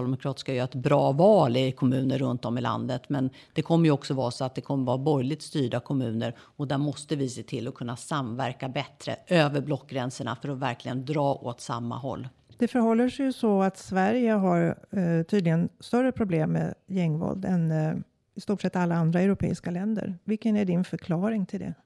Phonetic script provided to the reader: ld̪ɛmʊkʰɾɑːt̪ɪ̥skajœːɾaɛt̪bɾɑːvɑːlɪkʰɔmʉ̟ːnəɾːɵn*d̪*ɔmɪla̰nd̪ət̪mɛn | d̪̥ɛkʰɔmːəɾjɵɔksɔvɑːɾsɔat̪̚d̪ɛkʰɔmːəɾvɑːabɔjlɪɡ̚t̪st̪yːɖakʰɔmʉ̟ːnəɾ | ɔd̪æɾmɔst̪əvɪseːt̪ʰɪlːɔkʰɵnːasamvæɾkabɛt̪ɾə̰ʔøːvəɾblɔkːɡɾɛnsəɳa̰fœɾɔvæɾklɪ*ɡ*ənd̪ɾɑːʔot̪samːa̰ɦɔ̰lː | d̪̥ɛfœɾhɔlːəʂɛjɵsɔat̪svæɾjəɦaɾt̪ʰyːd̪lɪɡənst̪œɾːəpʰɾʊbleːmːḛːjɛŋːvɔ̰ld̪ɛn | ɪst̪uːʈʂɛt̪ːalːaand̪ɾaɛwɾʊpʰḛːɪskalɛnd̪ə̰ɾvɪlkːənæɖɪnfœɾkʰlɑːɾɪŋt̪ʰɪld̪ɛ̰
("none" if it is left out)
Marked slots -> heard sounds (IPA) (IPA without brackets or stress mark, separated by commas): t̪, ɡ